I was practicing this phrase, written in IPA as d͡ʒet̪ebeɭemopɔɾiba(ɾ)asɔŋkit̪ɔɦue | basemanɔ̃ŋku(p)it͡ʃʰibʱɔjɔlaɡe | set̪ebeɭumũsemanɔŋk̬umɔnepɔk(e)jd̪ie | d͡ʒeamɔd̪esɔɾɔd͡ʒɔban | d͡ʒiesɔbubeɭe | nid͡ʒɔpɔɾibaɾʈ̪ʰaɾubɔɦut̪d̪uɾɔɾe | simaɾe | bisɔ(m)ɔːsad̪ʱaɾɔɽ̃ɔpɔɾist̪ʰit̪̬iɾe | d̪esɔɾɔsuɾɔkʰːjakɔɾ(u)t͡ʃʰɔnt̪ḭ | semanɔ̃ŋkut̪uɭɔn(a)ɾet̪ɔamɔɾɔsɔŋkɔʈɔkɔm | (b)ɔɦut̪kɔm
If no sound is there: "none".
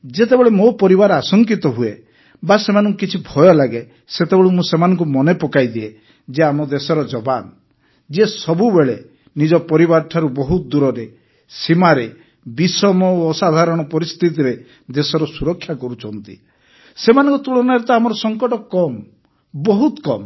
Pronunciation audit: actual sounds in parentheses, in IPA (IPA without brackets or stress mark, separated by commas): ɾ, k, a, m, u, a, b